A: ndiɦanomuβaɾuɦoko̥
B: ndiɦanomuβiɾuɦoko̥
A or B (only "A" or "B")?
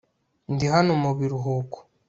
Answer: B